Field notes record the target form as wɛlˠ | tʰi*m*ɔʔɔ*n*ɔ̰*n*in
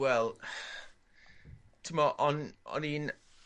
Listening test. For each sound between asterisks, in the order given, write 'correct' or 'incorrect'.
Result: correct, correct, correct

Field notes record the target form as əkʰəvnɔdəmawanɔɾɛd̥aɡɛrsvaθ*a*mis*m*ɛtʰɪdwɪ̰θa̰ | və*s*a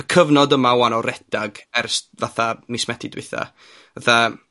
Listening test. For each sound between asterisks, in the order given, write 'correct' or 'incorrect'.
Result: correct, correct, incorrect: θ

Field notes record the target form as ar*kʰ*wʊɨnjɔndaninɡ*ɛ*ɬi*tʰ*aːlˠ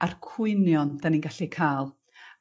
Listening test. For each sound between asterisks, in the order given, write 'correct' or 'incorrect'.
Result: correct, incorrect: a, incorrect: kʰ

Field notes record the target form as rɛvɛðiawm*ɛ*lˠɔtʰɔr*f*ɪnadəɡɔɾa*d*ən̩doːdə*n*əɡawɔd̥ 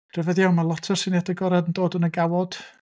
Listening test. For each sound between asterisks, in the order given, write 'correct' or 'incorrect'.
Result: incorrect: a, incorrect: s, correct, correct

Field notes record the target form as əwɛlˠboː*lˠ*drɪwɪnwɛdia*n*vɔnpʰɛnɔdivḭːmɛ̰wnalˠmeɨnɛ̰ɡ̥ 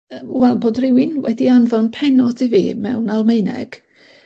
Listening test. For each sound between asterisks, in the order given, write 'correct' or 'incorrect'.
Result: incorrect: none, correct

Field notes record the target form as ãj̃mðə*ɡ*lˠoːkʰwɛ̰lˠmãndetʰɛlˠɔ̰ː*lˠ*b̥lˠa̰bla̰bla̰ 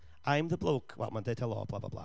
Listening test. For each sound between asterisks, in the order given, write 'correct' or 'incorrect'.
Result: incorrect: b, incorrect: none

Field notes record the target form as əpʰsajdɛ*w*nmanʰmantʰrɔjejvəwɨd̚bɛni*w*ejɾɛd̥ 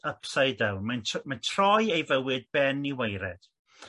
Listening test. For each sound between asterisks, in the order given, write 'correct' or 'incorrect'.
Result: correct, correct

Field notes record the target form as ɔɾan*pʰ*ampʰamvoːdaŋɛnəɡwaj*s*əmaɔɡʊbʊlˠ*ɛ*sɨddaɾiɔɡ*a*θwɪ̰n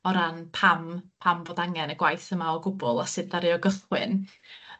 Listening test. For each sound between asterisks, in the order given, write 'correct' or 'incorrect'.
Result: correct, incorrect: θ, incorrect: a, incorrect: ə

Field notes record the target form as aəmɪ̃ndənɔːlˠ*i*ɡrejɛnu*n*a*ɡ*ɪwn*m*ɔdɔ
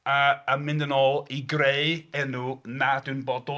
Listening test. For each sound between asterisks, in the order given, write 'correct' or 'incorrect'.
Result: correct, correct, incorrect: d, incorrect: b

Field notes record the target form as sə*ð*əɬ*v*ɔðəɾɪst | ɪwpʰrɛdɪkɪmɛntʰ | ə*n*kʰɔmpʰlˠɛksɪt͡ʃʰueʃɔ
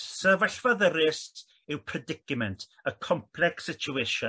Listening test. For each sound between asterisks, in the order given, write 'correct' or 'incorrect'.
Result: incorrect: v, correct, incorrect: none

